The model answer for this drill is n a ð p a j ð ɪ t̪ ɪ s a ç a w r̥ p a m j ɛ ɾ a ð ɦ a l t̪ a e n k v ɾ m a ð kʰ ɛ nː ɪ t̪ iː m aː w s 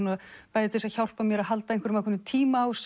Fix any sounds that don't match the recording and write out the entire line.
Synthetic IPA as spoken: n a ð p a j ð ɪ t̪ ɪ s a ç a w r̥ p a m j ɛ ɾ a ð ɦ a l t̪ a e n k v ɾ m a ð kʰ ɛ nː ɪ t̪ʰ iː m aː w s